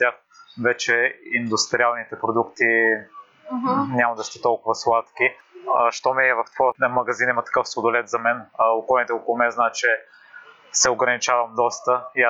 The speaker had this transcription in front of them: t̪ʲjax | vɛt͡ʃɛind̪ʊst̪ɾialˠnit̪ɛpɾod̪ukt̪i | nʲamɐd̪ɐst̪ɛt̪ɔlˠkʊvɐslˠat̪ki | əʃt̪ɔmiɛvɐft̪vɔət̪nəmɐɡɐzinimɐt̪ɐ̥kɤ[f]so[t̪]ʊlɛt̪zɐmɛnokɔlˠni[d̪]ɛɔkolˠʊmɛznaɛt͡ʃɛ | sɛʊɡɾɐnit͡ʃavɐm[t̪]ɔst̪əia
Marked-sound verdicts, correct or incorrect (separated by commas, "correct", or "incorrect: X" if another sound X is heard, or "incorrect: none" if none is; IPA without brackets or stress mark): correct, incorrect: d̪, incorrect: t̪, incorrect: d̪